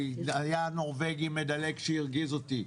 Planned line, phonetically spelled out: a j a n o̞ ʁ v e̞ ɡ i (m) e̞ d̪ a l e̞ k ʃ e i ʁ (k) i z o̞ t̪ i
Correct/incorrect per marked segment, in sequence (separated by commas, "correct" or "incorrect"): correct, incorrect